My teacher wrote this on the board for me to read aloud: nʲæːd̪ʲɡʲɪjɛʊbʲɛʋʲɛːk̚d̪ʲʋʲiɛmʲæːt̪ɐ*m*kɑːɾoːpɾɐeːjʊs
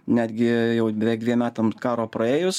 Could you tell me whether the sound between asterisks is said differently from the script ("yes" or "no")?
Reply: no